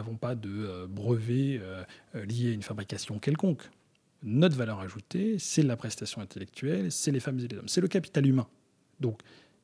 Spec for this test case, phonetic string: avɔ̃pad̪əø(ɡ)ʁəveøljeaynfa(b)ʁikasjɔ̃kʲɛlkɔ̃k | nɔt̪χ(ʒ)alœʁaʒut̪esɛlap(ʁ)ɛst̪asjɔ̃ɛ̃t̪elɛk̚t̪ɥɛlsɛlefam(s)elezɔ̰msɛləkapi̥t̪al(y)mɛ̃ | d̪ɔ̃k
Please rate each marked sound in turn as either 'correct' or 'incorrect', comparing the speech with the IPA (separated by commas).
incorrect, correct, incorrect, incorrect, incorrect, correct